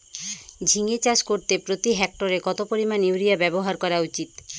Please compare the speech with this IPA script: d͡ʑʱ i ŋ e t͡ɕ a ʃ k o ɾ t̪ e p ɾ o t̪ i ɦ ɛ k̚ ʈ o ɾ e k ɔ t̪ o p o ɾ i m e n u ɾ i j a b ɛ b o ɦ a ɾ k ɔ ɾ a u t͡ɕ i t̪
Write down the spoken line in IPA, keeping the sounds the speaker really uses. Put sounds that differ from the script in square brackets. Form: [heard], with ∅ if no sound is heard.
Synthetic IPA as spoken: d͡ʑʱ i ŋ e t͡ɕ a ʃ k o ɾ t̪ e p ɾ o t̪ i ɦ ɛ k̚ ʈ o ɾ e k ɔ t̪ o p o ɾ i m [a] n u ɾ i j a b ɛ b o ɦ a ɾ k ɔ ɾ a u t͡ɕ i t̪